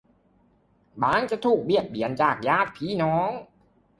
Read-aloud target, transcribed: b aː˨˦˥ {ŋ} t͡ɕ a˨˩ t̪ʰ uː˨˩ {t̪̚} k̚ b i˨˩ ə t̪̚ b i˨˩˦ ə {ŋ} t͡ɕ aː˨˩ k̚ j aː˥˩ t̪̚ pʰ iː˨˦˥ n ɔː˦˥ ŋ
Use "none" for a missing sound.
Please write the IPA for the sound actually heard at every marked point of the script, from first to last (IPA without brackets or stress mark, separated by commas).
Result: ŋ, none, n